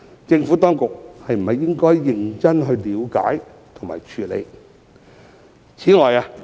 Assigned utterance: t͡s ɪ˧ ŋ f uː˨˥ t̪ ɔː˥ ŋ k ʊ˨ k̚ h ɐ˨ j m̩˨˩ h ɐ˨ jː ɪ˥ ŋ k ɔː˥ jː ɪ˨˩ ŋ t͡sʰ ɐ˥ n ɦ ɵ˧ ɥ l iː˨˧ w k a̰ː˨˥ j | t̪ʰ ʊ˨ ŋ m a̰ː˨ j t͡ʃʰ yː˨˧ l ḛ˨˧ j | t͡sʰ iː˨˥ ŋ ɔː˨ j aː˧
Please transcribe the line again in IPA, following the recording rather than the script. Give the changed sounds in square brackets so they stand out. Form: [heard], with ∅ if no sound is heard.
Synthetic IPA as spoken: t͡s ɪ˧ ŋ f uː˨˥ t̪ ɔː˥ ŋ k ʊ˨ k̚ h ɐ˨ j m̩˨˩ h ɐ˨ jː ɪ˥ ŋ k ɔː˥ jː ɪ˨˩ ŋ [t͡s] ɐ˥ n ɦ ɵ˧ ɥ l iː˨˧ w k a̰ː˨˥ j | t̪ʰ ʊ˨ ŋ m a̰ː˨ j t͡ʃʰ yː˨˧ l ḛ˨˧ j | t͡sʰ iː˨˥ ŋ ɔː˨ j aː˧